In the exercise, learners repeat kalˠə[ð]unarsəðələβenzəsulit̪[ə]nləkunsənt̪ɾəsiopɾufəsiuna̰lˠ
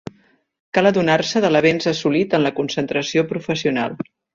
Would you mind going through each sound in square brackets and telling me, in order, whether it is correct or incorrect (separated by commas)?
correct, correct